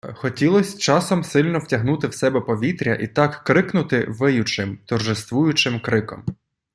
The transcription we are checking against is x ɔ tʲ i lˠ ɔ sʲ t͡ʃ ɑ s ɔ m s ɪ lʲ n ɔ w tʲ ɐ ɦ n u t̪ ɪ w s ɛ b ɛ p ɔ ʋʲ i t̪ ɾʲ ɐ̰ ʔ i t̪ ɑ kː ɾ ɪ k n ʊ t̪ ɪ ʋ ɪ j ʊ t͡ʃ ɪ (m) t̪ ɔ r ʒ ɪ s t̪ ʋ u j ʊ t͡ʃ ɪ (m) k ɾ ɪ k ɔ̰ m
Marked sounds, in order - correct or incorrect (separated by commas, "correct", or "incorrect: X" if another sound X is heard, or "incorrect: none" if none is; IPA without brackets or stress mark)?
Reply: correct, correct